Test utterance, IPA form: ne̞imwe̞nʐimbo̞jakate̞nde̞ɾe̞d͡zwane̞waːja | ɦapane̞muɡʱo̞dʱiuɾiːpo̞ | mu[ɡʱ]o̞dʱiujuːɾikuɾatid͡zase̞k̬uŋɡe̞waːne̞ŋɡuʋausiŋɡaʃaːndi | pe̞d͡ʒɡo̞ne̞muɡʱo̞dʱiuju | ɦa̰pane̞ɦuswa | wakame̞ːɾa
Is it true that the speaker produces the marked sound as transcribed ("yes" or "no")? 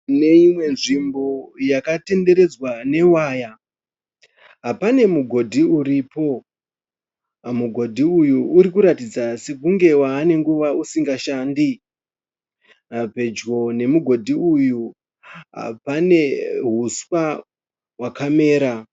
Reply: yes